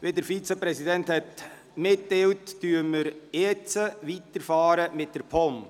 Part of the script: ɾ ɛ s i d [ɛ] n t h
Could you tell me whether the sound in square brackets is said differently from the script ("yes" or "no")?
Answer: no